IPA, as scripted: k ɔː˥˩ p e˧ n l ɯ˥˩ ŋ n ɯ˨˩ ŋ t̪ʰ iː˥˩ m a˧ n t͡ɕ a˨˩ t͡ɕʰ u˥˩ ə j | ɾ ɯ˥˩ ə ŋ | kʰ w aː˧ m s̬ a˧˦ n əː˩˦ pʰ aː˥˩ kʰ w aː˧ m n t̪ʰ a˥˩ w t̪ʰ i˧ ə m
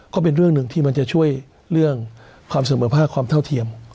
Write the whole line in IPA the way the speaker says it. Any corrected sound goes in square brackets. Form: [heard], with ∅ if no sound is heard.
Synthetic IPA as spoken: k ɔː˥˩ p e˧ n [ɾ] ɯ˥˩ ŋ n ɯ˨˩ ŋ t̪ʰ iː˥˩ m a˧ n t͡ɕ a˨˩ t͡ɕʰ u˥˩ ə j | ɾ ɯ˥˩ ə ŋ | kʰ w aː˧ m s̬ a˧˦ [m] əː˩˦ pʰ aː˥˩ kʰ w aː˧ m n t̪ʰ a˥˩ w t̪ʰ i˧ ə m